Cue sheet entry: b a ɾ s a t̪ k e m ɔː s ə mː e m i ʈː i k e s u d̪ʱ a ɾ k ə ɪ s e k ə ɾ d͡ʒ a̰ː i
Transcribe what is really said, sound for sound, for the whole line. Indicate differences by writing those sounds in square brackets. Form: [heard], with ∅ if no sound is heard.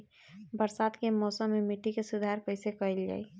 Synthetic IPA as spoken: b [ə] ɾ s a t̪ k e m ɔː s ə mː e m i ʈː i k e s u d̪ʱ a ɾ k ə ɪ s e k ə [l] d͡ʒ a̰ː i